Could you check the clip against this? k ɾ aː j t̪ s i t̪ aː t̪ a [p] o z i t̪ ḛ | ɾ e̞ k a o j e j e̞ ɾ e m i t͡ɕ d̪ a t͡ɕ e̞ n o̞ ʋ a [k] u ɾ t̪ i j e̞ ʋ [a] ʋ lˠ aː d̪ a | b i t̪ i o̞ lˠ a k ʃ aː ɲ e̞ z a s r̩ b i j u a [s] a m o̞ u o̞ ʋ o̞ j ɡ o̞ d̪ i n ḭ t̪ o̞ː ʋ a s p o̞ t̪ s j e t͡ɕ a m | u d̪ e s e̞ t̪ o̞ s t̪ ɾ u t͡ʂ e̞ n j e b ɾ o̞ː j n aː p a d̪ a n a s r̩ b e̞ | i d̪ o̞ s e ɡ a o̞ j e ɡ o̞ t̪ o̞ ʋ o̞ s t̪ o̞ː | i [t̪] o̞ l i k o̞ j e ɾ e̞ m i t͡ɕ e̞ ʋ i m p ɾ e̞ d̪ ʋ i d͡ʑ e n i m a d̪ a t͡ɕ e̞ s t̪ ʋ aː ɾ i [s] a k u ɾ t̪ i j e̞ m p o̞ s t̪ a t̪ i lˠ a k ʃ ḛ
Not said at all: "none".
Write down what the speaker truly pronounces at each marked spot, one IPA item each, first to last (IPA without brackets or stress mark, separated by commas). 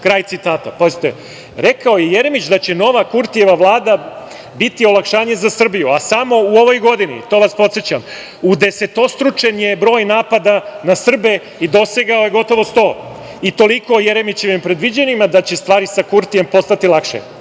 p, k, a, s, t̪, s